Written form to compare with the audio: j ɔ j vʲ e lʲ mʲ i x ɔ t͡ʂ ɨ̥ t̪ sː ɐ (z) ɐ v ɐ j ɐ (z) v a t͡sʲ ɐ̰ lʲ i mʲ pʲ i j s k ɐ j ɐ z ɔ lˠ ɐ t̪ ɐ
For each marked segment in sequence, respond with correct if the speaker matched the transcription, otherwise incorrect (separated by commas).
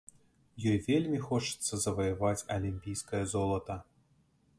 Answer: correct, incorrect